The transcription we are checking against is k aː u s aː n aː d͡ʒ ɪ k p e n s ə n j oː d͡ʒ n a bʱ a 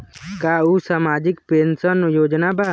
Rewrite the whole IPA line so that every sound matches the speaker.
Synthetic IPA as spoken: k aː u s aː m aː d͡ʒ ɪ k p e n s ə n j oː d͡ʒ n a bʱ a